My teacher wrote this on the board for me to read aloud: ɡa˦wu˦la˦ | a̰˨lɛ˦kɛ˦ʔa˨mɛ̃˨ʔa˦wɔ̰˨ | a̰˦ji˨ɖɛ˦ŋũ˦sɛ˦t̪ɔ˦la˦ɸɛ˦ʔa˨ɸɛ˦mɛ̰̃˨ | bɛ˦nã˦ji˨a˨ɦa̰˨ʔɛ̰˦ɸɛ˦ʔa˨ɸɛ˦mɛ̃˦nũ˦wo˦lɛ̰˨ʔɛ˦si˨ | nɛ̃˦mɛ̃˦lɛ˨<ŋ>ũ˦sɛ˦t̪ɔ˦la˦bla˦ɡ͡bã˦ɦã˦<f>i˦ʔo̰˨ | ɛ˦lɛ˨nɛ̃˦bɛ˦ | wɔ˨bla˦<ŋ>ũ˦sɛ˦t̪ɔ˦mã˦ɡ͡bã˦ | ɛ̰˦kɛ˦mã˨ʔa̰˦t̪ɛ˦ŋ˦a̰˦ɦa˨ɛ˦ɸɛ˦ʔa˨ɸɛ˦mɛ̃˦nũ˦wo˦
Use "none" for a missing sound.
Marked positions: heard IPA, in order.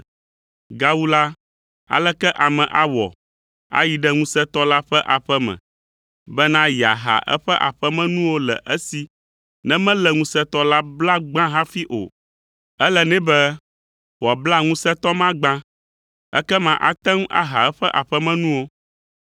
ŋ, f, ŋ

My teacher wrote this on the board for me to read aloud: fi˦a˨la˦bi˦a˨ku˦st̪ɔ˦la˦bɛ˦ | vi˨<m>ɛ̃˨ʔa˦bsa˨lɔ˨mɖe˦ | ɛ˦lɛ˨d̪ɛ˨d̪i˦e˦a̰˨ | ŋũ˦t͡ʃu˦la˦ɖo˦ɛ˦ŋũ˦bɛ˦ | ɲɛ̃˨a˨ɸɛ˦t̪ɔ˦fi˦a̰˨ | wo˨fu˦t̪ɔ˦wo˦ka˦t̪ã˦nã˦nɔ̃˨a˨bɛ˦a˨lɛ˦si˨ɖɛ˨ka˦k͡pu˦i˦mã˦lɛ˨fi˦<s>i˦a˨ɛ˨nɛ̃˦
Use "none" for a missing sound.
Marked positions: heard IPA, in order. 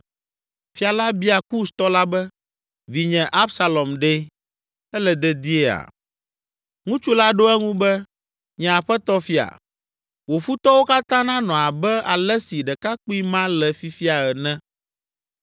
ɲ, f

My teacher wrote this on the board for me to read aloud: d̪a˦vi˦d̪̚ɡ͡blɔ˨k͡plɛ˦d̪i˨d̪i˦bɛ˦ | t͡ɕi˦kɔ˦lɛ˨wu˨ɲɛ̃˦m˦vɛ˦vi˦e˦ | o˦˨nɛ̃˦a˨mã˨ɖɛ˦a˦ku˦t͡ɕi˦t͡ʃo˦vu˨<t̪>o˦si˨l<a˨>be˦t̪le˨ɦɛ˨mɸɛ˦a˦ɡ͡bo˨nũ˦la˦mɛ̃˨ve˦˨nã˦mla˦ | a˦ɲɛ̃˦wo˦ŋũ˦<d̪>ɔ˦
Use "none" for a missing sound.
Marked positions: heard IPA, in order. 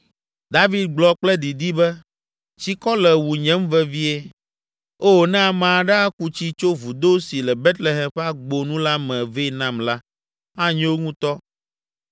d̪, ɛ˨, t̪

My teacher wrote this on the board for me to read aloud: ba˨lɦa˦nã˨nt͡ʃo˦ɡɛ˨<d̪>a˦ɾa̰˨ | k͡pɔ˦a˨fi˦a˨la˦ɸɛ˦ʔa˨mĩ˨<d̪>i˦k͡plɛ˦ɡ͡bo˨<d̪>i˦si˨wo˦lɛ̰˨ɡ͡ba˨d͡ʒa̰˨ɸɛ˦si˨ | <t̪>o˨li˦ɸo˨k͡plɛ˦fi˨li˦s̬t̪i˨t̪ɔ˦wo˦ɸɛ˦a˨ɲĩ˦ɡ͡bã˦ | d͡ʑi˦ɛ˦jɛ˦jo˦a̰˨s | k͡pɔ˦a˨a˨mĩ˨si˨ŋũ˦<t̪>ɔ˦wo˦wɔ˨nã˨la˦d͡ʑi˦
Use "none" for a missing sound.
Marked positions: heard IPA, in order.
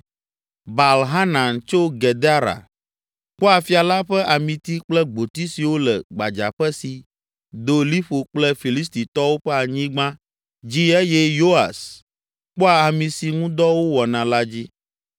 d̪, t̪, t̪, d̪, d̪

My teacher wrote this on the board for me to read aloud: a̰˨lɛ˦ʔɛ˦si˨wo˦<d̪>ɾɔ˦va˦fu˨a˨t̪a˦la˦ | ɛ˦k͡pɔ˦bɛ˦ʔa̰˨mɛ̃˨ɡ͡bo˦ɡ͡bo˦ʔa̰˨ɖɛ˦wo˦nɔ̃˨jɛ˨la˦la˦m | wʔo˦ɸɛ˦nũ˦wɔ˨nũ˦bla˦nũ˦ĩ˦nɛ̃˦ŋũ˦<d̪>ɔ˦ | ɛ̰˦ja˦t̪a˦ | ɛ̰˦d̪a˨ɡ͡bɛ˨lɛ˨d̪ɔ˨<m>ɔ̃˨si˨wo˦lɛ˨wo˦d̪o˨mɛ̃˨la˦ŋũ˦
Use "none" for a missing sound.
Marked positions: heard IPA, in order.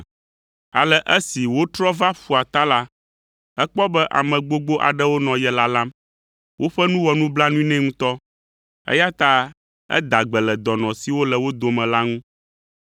t̪, t̪, n

